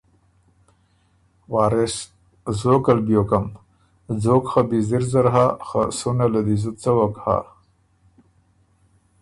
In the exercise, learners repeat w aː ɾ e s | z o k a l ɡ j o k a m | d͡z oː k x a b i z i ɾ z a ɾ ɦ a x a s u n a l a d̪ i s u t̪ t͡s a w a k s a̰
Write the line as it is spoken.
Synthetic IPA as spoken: w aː ɾ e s | z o k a l b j o k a m | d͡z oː k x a b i z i ɾ z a ɾ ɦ a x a s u n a l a d̪ i z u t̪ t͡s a w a k h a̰